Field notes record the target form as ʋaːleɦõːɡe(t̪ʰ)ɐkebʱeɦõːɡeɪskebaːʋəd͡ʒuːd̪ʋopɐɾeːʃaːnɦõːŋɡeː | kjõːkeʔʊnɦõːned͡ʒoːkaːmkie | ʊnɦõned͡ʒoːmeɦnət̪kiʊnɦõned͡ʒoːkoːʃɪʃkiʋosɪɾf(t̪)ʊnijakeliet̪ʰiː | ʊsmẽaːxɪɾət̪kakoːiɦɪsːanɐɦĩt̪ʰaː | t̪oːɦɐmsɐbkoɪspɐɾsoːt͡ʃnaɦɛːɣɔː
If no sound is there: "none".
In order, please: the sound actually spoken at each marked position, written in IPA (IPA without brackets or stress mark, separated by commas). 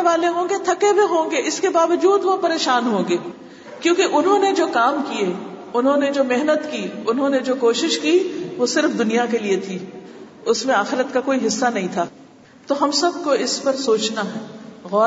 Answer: t̪ʰ, d̪